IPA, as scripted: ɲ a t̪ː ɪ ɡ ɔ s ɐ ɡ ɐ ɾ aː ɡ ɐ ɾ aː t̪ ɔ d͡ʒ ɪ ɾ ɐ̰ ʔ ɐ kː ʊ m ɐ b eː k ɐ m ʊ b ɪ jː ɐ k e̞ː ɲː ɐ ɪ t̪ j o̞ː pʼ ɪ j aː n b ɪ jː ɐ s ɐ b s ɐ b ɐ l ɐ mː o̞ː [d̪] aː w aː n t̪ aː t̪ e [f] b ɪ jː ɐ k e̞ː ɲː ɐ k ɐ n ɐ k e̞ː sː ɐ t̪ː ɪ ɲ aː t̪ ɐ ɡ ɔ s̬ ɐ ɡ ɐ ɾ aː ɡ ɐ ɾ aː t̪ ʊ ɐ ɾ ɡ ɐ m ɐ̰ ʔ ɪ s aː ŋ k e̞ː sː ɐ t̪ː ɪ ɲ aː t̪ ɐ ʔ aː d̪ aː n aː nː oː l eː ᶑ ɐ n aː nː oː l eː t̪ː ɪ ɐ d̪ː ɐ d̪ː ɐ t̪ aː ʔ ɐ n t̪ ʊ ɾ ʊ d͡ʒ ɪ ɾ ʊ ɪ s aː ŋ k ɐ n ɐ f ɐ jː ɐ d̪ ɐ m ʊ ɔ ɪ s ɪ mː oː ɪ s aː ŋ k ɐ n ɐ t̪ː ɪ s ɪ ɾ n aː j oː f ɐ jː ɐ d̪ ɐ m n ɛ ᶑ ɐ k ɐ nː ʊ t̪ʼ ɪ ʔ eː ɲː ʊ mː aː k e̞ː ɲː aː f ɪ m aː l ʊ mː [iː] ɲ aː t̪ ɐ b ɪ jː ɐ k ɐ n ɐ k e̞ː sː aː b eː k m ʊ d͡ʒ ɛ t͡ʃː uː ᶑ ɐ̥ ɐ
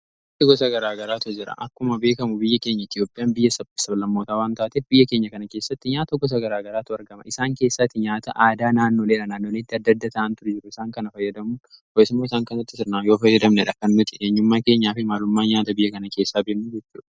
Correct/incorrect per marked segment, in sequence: incorrect: t̪, correct, incorrect: aː

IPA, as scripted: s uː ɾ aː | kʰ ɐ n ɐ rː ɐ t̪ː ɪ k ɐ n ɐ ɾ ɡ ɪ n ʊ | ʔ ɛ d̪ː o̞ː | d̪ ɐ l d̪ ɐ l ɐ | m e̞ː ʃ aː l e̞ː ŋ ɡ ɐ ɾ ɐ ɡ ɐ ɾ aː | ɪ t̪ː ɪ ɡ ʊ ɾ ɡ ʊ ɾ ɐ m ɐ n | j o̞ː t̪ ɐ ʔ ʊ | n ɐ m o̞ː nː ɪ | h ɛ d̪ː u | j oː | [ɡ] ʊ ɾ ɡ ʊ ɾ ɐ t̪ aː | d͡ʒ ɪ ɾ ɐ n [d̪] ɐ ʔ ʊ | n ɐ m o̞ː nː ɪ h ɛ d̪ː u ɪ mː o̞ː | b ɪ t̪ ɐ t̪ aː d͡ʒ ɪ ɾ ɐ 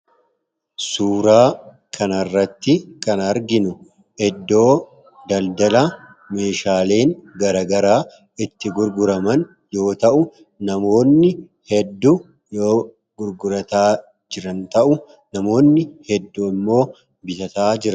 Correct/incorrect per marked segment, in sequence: correct, incorrect: t̪

